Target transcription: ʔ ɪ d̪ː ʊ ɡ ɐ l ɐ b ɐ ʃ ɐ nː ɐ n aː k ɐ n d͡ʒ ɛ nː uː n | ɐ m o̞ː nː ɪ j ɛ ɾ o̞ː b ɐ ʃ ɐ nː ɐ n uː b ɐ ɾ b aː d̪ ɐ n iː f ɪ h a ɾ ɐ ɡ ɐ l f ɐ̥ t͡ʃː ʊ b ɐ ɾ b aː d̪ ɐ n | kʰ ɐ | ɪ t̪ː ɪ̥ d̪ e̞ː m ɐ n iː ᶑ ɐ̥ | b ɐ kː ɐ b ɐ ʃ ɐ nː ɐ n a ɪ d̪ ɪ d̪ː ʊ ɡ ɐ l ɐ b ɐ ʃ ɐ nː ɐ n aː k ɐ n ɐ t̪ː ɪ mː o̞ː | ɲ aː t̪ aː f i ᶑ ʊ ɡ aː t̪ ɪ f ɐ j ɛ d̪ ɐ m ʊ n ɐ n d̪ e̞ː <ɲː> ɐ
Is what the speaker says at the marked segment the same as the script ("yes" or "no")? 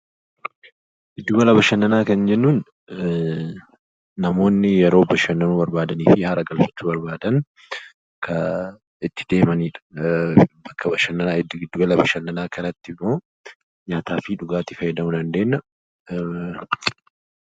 no